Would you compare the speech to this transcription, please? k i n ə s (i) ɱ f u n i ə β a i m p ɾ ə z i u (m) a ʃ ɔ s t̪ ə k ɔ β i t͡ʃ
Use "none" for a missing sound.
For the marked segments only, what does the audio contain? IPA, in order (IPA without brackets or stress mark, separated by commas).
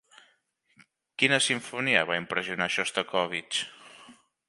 i, n